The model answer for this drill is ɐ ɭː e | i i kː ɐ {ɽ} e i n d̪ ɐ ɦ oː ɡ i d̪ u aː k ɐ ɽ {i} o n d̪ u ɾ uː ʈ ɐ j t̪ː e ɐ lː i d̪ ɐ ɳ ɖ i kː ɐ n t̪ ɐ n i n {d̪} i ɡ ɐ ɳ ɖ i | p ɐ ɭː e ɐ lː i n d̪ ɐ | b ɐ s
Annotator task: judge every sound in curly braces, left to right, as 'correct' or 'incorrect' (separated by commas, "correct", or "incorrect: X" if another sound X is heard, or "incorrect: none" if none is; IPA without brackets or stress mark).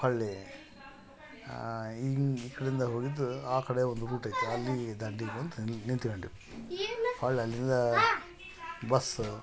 correct, incorrect: e, incorrect: t̪